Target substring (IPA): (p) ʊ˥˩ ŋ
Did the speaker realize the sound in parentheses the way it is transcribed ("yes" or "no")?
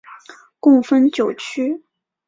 no